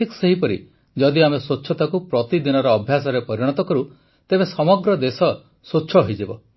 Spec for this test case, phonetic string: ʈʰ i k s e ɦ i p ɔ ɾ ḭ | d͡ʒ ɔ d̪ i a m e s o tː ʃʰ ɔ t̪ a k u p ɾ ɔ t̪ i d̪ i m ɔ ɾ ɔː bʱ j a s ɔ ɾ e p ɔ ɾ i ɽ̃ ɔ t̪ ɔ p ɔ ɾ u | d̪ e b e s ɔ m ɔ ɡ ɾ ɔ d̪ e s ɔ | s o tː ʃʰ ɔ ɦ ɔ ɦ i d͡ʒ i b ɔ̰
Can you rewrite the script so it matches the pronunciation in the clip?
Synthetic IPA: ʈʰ i k s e ɦ i p ɔ ɾ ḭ | d͡ʒ ɔ d̪ i a m e s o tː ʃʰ ɔ t̪ a k u p ɾ ɔ t̪ i d̪ i n ɔ ɾ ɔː bʱ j a s ɔ ɾ e p ɔ ɾ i ɽ̃ ɔ t̪ ɔ k ɔ ɾ u | t̪ e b e s ɔ m ɔ ɡ ɾ ɔ d̪ e s ɔ | s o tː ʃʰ ɔ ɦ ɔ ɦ i d͡ʒ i b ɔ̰

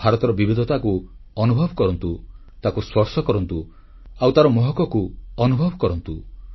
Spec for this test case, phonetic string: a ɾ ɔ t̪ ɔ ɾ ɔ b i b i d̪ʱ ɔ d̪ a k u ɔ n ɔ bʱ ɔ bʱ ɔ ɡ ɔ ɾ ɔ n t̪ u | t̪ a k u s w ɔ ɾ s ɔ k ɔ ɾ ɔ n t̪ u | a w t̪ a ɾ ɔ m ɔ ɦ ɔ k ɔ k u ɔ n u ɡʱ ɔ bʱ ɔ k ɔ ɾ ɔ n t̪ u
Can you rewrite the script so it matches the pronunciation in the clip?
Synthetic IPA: a ɾ ɔ t̪ ɔ ɾ ɔ b i b i d̪ʱ ɔ t̪ a k u ɔ n u bʱ ɔ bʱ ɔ k ɔ ɾ ɔ n t̪ u | t̪ a k u s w ɔ ɾ s ɔ k ɔ ɾ ɔ n t̪ u | a w t̪ a ɾ ɔ m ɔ ɦ ɔ k ɔ k u ɔ n u bʱ ɔ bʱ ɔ k ɔ ɾ ɔ n t̪ u

